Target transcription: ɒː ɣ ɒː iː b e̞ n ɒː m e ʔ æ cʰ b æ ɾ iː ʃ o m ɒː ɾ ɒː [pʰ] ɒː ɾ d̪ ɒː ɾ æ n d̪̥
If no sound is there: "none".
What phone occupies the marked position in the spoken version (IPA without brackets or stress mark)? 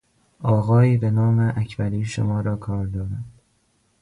kʰ